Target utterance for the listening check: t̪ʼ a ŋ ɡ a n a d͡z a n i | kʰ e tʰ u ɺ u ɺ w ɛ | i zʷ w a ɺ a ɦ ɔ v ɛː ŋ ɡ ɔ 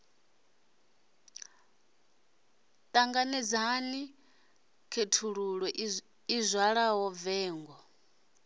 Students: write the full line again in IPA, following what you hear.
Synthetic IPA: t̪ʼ a ŋ ɡ a n ɛ d͡z a n i | kʰ e tʰ u ɺ u ɺ w ɛ | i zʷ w a ɺ a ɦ ɔ v ɛː ŋ ɡ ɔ